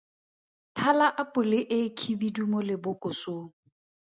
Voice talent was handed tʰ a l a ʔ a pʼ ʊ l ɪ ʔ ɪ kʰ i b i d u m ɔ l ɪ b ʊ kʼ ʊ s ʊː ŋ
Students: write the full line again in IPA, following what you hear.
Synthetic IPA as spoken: tʰ a l a ʔ a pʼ ʊ l ɪ ʔ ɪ kʰ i b i d u m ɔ l ɪ b ʊ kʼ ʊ s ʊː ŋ